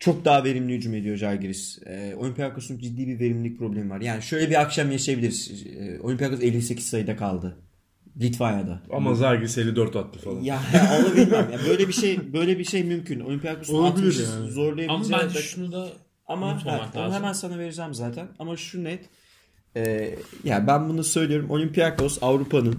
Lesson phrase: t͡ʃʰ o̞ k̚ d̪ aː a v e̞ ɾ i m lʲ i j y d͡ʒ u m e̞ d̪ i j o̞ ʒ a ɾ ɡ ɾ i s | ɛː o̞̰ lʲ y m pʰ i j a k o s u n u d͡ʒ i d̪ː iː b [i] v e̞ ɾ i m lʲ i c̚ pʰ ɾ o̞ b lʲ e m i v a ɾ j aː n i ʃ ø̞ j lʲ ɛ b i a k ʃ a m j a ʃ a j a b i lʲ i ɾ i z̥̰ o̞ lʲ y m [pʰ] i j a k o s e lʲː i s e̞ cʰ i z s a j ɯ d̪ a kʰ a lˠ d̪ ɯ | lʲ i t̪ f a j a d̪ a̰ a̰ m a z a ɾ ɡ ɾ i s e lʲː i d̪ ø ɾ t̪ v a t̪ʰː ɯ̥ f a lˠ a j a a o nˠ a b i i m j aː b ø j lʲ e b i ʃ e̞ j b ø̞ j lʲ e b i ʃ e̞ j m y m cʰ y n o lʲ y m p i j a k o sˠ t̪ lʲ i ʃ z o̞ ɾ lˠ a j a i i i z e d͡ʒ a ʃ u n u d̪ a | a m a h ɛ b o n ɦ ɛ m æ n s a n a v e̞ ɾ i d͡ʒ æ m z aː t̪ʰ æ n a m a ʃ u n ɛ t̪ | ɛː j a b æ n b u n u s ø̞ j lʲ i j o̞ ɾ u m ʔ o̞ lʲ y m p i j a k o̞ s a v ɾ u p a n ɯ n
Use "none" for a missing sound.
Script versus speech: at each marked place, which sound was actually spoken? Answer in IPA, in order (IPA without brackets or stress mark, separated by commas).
i, p